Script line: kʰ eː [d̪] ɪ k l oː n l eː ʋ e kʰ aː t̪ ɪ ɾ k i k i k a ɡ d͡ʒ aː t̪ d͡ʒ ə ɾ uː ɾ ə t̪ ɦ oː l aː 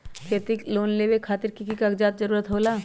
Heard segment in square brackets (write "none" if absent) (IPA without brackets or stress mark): t̪